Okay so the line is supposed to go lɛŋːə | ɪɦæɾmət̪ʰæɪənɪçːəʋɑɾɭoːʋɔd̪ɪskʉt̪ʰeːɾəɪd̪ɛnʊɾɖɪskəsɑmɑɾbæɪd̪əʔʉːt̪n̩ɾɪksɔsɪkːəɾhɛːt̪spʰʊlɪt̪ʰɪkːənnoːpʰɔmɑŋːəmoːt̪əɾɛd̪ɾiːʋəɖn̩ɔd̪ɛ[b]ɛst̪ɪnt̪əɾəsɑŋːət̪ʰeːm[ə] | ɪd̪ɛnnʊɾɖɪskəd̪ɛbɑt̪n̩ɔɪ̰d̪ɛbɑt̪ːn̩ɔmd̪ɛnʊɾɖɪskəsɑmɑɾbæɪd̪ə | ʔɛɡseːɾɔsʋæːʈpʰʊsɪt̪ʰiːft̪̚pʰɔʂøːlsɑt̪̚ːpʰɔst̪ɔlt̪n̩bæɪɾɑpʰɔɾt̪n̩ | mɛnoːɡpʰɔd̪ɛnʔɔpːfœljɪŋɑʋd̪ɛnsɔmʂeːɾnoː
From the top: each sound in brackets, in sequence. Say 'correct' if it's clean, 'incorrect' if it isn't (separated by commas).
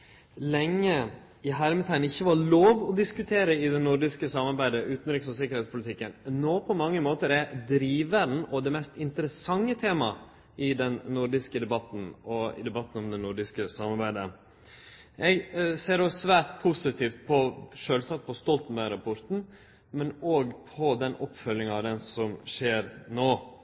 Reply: incorrect, incorrect